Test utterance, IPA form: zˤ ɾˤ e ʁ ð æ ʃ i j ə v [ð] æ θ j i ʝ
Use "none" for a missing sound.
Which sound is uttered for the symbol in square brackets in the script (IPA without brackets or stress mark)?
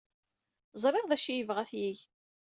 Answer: ʁ